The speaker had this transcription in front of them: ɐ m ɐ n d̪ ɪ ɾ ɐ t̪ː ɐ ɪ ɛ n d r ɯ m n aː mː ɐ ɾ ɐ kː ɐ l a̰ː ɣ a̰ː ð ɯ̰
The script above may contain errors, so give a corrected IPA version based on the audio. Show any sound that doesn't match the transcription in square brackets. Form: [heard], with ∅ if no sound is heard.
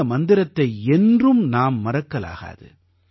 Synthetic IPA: ɐ m ɐ n d̪ ɪ ɾ ɐ t̪ː ɐ ɪ ɛ n d r ɯ m n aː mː ɐ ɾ ɐ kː ɐ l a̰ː ɣ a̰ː ð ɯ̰

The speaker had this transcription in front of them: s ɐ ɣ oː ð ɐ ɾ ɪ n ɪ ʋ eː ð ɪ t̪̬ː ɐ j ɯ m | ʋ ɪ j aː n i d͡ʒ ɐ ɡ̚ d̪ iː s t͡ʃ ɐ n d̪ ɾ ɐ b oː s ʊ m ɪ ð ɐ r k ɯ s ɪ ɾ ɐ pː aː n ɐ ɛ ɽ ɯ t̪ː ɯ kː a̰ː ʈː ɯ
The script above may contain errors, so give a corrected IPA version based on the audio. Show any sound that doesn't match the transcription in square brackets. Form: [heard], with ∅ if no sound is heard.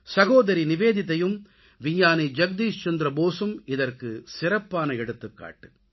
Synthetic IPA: s ɐ ɣ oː ð ɐ ɾ [i] n ɪ ʋ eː ð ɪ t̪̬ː ɐ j ɯ m | ʋ ɪ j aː n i d͡ʒ ɐ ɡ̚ d̪ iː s t͡ʃ ɐ n d̪ ɾ ɐ b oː s [ɯ] m ɪ ð ɐ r k ɯ s ɪ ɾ ɐ pː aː n ɐ ɛ ɽ ɯ t̪ː ɯ kː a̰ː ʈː ɯ

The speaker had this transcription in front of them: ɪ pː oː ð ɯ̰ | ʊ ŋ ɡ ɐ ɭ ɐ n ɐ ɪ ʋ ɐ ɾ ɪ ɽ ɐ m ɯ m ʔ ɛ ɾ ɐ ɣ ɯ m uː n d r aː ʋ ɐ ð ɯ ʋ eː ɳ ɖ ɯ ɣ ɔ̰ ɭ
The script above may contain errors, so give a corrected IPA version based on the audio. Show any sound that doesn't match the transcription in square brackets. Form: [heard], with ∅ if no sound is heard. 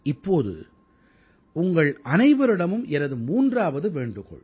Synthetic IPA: ɪ pː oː ð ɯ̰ | ʊ ŋ ɡ ɐ ɭ ɐ n ɐ ɪ ʋ ɐ ɾ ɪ ɽ ɐ m ɯ m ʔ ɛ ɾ ɐ [ð] ɯ m uː n d r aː ʋ ɐ ð ɯ ʋ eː ɳ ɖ ɯ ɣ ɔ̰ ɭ

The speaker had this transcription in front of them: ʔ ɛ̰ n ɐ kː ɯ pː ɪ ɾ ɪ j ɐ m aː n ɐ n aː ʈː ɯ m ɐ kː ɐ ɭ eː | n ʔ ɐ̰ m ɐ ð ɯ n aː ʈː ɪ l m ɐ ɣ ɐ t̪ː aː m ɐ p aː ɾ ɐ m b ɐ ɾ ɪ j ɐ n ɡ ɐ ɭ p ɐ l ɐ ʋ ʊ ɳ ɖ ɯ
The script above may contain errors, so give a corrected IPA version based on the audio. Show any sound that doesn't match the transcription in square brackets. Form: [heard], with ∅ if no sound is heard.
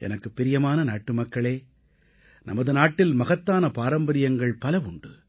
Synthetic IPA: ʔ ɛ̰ n ɐ kː ɯ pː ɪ ɾ ɪ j ɐ m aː n ɐ n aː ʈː ɯ m ɐ kː ɐ ɭ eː | n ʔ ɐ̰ m ɐ ð ɯ n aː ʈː ɪ l m ɐ ɣ ɐ t̪ː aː [n] ɐ p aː ɾ ɐ m b ɐ ɾ ɪ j ɐ [ŋ] ɡ ɐ ɭ p ɐ l ɐ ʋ ʊ ɳ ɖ ɯ

